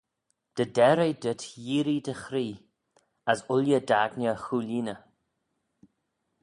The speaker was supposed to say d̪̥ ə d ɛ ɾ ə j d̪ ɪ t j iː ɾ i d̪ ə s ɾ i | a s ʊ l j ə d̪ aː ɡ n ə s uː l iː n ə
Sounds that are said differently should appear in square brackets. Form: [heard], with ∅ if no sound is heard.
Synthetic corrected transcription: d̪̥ ə d ɛ ɾ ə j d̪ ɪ t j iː ɾ i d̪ ə [x] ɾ [iː] | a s ʊ l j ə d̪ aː ɡ n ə [x] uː l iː n ə